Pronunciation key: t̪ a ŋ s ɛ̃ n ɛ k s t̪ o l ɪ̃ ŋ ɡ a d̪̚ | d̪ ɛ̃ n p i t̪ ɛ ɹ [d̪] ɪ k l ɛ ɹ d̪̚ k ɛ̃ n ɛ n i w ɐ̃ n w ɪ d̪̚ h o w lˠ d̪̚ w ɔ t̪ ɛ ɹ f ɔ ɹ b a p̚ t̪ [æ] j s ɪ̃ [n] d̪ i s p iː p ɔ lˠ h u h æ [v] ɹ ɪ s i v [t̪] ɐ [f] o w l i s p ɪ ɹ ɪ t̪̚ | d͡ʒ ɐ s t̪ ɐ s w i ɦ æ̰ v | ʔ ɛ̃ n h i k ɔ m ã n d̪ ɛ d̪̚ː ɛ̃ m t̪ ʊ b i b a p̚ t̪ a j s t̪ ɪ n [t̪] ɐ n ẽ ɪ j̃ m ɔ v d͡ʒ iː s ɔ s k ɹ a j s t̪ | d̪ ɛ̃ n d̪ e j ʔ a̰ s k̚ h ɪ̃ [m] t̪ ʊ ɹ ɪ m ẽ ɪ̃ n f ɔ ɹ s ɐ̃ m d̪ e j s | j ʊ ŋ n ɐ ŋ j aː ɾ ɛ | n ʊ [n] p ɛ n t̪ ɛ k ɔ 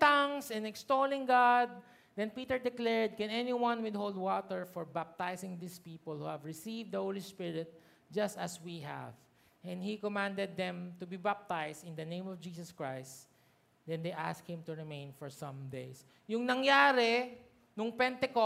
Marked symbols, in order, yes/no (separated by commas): yes, no, no, yes, no, no, no, yes, no